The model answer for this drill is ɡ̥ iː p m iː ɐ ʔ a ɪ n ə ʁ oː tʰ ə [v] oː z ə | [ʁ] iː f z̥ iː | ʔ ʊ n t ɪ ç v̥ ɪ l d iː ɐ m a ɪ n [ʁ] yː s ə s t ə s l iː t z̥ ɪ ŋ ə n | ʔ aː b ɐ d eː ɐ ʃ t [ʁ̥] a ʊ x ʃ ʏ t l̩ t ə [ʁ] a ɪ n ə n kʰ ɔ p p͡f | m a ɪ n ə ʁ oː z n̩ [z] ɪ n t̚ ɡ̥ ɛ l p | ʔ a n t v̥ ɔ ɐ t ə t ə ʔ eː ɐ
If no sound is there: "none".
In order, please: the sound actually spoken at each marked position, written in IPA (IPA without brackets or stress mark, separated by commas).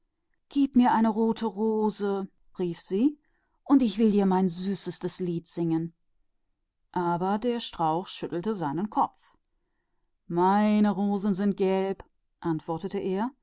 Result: ʁ, ʁ, z, ʁ̥, z, z